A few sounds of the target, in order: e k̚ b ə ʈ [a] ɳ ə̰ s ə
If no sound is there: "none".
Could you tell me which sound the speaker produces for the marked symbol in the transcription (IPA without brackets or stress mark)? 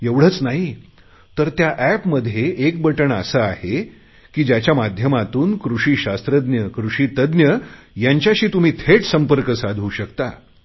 ə